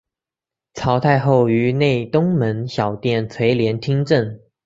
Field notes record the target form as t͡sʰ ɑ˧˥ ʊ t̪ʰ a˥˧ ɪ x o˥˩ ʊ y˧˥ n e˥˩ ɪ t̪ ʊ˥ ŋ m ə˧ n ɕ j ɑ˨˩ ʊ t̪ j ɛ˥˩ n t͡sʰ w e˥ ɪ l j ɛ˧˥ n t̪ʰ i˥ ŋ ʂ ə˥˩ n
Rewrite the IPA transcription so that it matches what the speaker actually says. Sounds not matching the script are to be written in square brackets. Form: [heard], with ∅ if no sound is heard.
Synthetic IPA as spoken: t͡sʰ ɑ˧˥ ʊ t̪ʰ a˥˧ ɪ x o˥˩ ʊ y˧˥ n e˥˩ ɪ t̪ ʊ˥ ŋ m [ə˧˥] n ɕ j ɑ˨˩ ʊ t̪ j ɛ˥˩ n t͡sʰ w [e˧˥] ɪ l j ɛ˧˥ n t̪ʰ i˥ ŋ [ʈ͡ʂ] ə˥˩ n

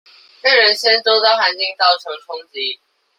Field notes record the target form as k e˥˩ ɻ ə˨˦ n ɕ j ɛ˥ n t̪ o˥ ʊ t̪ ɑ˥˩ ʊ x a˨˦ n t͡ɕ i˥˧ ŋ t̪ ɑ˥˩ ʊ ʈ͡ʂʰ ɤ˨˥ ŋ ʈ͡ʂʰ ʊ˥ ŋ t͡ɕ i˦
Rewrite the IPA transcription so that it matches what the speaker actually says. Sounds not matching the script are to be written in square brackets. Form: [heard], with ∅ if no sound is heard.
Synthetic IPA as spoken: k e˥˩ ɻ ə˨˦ n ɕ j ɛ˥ n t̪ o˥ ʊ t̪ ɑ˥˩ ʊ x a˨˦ n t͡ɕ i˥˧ ŋ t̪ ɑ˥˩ ʊ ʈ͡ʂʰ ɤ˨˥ ŋ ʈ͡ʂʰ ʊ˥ ŋ t͡ɕ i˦

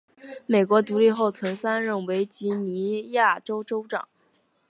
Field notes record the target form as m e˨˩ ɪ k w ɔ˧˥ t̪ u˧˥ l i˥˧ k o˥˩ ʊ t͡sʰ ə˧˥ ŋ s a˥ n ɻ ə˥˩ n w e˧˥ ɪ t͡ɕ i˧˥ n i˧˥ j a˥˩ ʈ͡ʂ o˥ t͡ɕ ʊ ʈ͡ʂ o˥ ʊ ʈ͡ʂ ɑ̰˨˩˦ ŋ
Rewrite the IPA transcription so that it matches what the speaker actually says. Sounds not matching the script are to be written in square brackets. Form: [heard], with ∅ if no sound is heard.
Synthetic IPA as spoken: m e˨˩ ɪ k w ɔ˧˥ t̪ u˧˥ l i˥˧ [x] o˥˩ ʊ t͡sʰ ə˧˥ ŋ s a˥ n ɻ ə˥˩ n w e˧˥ ɪ t͡ɕ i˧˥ n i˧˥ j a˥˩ ʈ͡ʂ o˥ [∅] ʊ ʈ͡ʂ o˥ ʊ ʈ͡ʂ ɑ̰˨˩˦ ŋ

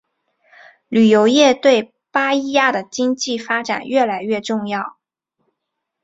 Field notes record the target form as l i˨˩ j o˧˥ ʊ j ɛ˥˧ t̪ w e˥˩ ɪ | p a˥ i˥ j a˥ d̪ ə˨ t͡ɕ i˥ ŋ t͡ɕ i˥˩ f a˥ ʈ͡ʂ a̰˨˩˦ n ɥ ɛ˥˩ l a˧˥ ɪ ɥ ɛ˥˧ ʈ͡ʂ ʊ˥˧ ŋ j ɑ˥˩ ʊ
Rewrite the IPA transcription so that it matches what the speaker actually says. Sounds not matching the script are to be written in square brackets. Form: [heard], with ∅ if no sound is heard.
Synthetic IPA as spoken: l [y˨˩] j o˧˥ ʊ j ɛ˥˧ t̪ w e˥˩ ɪ | p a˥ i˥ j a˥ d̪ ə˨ t͡ɕ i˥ ŋ t͡ɕ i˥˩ f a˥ ʈ͡ʂ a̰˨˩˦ n ɥ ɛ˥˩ l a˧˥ ɪ ɥ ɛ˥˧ ʈ͡ʂ ʊ˥˧ ŋ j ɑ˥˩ ʊ

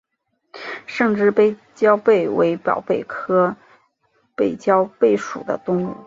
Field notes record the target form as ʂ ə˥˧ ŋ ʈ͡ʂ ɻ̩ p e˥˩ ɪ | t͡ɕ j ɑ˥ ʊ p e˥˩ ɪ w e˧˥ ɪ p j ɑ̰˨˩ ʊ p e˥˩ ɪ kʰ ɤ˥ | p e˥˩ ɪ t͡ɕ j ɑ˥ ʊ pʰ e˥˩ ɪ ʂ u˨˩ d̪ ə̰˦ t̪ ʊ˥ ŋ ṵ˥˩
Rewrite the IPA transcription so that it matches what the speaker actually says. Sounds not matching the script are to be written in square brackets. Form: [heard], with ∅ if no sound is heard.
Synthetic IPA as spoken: ʂ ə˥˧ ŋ ʈ͡ʂ ɻ̩ p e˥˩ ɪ | t͡ɕ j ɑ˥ ʊ p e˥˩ ɪ w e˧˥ ɪ p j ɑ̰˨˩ ʊ p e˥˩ ɪ kʰ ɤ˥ | p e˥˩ ɪ t͡ɕ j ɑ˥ ʊ [p] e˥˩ ɪ ʂ u˨˩ d̪ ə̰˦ t̪ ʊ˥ ŋ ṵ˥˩

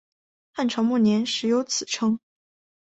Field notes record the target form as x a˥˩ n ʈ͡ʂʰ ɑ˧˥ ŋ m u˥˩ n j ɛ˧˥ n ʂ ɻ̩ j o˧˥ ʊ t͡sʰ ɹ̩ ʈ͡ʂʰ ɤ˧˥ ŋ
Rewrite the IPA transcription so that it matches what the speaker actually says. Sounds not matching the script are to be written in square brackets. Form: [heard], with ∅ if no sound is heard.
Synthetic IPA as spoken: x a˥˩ n ʈ͡ʂʰ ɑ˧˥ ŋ m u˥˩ n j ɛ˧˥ n ʂ ɻ̩ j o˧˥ ʊ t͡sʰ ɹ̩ ʈ͡ʂʰ [ɤ˥] ŋ

